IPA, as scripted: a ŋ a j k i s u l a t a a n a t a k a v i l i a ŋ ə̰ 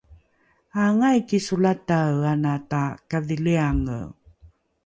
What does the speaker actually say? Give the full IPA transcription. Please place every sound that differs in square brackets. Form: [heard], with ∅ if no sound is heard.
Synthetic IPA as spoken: a ŋ a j k i s u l a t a a n a t a k a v i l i a ŋ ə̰